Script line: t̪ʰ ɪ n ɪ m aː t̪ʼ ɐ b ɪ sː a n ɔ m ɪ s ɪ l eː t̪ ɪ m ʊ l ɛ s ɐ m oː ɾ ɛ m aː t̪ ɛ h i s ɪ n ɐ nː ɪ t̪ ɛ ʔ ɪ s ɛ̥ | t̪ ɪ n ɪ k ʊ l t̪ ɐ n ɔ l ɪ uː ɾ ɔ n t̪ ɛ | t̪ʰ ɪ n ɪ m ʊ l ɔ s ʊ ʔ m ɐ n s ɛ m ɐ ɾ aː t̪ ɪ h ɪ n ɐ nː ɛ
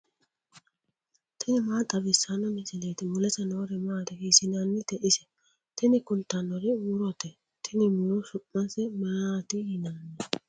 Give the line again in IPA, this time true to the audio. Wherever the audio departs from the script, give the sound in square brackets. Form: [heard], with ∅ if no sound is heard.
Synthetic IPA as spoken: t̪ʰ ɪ n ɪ m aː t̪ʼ ɐ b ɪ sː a n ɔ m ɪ s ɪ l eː t̪ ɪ m ʊ l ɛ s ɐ [n] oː ɾ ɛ m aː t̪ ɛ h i s ɪ n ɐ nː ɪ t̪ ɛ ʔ ɪ s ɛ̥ | t̪ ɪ n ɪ k ʊ l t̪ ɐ n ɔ [ɾ] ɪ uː ɾ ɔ [∅] t̪ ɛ | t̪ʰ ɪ n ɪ m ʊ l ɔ s ʊ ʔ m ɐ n s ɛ m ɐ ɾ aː t̪ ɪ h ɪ n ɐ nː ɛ